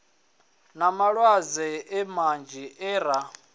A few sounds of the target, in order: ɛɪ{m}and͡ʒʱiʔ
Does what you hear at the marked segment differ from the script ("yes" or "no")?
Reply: no